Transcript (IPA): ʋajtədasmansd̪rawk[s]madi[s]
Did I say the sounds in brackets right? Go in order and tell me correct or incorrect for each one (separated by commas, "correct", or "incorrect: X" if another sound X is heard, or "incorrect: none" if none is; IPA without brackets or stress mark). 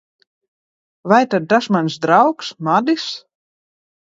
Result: correct, correct